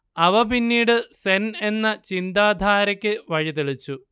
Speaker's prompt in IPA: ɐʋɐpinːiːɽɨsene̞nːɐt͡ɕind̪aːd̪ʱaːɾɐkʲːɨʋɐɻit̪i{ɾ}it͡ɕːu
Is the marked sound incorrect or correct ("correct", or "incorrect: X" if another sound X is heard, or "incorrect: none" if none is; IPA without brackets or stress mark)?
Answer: incorrect: ɭ